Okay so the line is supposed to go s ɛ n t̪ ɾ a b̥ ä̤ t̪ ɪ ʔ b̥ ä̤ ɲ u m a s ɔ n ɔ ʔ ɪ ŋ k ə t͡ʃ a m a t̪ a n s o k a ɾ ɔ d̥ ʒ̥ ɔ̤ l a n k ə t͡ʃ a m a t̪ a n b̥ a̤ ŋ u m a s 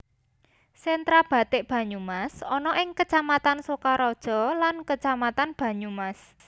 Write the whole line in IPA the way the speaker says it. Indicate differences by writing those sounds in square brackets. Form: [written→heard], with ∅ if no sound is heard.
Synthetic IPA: s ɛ n t̪ ɾ a b̥ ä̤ t̪ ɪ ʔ b̥ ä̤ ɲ u m a s ɔ n ɔ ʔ ɪ ŋ k ə t͡ʃ a m a t̪ a n s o k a ɾ ɔ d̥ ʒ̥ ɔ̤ l a n k ə t͡ʃ a m a t̪ a n b̥ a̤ [ŋ→ɲ] u m a s